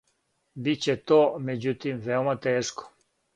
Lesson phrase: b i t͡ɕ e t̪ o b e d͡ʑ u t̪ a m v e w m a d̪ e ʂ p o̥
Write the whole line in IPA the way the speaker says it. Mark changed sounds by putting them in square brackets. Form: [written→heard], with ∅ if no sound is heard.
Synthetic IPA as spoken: b i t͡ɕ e t̪ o [b→m] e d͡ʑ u t̪ [a→i] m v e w m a [d̪→t̪] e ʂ [p→k] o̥